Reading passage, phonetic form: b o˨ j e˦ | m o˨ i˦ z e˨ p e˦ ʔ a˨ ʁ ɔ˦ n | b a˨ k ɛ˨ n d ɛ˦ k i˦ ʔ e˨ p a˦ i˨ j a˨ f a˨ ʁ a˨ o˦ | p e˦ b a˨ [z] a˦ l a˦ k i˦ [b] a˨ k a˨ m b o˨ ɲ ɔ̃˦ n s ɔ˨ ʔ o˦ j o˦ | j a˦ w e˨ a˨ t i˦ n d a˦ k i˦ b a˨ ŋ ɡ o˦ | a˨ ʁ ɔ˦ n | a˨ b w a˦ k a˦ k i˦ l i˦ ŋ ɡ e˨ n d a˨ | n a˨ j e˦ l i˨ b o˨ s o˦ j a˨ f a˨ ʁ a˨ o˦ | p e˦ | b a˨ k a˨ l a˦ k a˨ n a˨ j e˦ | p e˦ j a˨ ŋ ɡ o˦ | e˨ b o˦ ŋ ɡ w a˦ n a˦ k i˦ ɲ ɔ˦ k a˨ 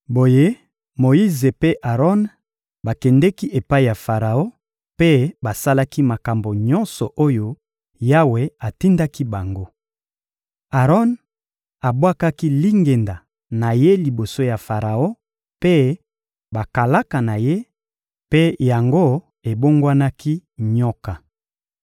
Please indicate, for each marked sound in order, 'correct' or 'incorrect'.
incorrect: s, incorrect: m

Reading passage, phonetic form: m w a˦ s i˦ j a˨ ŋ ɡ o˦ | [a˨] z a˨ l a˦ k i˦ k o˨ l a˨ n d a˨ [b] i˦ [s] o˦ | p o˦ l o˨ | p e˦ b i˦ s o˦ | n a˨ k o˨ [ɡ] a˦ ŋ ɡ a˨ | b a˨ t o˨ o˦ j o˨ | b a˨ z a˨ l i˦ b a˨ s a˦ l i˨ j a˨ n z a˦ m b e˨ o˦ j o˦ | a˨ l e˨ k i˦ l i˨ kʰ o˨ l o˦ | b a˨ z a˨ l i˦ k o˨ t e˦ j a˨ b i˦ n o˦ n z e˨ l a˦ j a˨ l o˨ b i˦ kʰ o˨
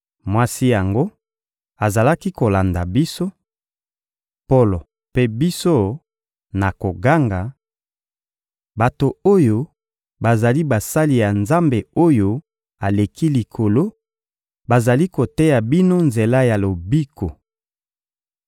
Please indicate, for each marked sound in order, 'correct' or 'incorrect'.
correct, correct, correct, correct

